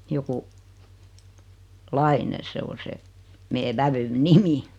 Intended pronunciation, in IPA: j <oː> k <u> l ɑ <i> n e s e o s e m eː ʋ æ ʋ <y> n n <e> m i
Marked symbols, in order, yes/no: no, yes, yes, yes, no

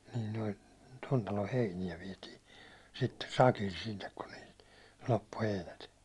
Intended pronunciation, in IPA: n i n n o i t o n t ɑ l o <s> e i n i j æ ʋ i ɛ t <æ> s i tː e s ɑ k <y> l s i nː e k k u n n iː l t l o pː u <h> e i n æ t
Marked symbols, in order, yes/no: no, no, no, yes

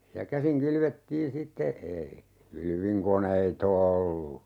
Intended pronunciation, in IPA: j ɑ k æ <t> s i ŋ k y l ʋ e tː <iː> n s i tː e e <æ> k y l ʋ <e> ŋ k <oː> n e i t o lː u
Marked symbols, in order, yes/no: no, yes, no, no, no

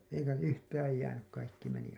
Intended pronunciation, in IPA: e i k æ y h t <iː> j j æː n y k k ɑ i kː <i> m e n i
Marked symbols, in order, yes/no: no, yes

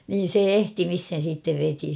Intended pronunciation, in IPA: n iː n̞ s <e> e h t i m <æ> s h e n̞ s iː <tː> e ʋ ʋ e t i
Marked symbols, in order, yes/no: yes, no, yes

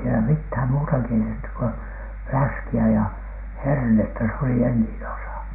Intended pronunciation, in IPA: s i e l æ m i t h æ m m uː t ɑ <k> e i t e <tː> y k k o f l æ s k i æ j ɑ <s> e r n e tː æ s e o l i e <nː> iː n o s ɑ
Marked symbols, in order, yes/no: yes, yes, no, yes

